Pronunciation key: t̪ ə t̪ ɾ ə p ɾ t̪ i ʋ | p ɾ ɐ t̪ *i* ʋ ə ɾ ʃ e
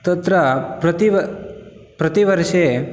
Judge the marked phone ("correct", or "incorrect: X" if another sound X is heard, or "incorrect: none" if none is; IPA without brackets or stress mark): correct